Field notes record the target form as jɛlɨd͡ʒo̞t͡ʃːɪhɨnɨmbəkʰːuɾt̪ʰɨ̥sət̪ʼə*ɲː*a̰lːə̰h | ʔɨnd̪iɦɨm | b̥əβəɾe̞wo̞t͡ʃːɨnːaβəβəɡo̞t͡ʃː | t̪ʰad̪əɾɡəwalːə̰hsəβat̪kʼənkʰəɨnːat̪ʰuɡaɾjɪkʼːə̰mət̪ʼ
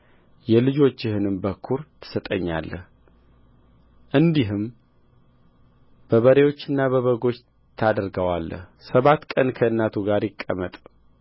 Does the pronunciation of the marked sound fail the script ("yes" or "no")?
no